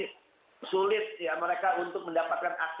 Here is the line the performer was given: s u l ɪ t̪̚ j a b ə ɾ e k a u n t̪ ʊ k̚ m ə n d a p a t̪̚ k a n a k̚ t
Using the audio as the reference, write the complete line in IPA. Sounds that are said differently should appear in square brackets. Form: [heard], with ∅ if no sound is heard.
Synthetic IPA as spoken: s u l ɪ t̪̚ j a [m] ə ɾ e k a u n t̪ ʊ k̚ m ə n d a p a t̪̚ k a n a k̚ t